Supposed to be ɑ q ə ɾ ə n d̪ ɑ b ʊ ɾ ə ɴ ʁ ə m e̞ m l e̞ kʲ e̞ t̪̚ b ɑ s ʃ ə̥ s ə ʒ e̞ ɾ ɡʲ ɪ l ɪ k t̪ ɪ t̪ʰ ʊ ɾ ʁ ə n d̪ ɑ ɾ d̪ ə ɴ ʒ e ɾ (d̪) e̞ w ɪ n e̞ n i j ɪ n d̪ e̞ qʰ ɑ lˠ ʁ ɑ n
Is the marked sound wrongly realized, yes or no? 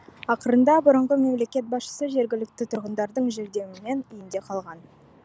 no